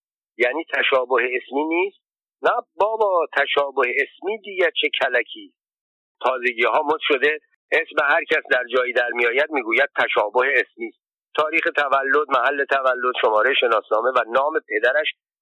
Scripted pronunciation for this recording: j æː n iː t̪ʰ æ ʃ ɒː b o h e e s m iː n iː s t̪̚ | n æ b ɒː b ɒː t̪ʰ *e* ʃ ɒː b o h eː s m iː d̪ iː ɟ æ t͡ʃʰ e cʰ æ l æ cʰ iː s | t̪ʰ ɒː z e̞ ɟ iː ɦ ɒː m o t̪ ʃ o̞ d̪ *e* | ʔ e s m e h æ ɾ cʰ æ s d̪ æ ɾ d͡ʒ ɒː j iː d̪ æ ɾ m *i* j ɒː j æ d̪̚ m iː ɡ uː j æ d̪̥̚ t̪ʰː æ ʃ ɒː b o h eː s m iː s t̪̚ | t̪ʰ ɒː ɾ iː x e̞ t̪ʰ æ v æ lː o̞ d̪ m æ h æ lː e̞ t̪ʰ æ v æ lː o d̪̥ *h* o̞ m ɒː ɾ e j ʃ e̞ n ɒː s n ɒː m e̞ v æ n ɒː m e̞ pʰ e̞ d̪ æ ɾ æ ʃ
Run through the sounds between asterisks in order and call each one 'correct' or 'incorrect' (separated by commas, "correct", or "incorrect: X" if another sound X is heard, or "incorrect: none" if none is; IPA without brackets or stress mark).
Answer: incorrect: æ, correct, correct, incorrect: ʃ